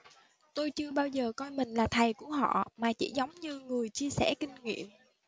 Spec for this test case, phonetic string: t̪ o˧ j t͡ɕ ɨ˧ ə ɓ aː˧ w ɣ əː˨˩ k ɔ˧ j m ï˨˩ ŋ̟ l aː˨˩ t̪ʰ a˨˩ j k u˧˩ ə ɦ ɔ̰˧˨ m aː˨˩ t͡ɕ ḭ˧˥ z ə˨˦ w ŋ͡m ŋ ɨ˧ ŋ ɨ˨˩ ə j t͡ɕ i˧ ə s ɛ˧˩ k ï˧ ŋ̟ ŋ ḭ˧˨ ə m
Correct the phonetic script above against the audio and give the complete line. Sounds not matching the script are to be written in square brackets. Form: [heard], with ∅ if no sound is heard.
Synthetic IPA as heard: t̪ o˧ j t͡ɕ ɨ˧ ə ɓ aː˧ w [z] əː˨˩ k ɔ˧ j m ï˨˩ ŋ̟ l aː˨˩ t̪ʰ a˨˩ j k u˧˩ ə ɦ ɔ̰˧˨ m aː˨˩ t͡ɕ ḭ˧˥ z ə˨˦ w ŋ͡m [ɲ] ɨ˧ ŋ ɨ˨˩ ə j t͡ɕ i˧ ə s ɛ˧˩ k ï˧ ŋ̟ ŋ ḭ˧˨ ə m